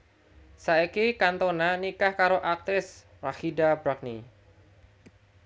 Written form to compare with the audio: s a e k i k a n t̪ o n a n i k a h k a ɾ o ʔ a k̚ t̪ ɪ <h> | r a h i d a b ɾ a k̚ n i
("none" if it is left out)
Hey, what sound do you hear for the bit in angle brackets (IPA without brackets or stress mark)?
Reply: s